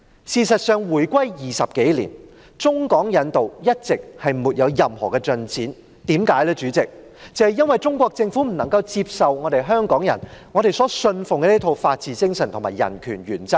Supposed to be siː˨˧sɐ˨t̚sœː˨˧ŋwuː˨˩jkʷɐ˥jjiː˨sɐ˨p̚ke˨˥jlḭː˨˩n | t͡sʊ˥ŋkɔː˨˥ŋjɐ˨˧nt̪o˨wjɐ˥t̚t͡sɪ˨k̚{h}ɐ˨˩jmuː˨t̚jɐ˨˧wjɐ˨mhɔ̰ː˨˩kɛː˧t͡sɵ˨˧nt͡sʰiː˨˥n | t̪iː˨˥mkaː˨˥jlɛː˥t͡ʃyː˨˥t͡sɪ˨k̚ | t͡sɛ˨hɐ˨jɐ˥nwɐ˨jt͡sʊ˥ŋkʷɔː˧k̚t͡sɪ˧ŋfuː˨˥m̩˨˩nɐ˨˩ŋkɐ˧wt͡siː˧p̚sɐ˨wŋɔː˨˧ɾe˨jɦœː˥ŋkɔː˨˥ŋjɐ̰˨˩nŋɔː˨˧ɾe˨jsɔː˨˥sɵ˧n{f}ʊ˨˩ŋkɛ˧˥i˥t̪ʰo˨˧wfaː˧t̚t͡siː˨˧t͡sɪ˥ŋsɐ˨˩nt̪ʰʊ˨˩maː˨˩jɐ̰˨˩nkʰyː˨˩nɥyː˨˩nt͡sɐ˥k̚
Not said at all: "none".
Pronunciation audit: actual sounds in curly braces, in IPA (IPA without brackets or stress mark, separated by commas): h, f